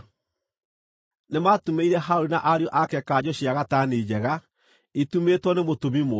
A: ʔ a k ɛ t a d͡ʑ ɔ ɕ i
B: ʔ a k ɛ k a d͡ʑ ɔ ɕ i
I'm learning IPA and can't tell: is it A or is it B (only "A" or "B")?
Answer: B